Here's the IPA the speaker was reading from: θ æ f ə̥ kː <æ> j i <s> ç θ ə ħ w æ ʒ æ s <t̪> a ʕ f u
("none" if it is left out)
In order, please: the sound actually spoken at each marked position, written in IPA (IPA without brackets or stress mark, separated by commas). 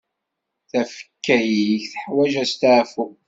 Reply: æ, none, t̪